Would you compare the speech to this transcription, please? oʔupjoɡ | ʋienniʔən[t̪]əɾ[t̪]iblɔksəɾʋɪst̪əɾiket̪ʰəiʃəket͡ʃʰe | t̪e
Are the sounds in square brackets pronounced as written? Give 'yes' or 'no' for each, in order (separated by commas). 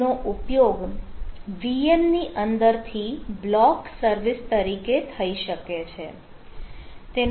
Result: no, no